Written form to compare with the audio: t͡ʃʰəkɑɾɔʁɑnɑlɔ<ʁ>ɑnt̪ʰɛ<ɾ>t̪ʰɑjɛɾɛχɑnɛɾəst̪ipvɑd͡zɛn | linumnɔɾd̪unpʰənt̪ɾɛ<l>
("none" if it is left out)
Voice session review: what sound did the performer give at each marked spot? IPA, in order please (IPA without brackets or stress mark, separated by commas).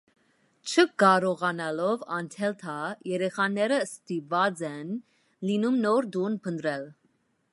v, l, l